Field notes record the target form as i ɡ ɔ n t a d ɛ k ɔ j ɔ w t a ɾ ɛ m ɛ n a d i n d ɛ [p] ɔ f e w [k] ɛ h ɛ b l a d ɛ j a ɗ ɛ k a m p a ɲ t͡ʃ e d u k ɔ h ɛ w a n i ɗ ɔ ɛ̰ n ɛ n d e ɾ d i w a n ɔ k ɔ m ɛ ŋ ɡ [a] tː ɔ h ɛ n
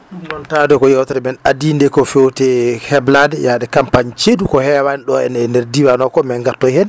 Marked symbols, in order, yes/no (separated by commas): no, no, yes